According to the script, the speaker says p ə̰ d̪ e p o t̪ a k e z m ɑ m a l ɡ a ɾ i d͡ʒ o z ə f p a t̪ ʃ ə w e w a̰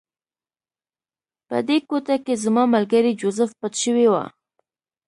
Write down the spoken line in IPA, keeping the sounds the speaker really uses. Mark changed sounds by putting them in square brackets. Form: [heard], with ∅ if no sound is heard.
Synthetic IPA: p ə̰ d̪ e [k] o t̪ a k e z m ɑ m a l ɡ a ɾ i d͡ʒ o z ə f p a t̪ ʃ ə w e w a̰